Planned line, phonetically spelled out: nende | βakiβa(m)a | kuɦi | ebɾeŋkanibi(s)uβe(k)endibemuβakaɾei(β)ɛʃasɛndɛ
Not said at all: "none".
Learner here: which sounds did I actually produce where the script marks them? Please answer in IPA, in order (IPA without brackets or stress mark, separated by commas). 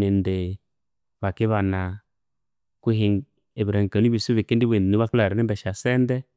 n, s, k, b